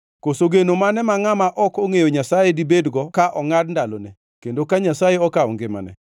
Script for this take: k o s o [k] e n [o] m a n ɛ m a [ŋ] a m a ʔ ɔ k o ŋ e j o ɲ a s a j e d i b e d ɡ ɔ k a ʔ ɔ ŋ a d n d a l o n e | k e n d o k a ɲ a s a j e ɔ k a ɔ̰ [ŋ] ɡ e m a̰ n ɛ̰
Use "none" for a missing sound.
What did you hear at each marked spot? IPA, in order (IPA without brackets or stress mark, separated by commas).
ɡ, o, ŋ, ŋ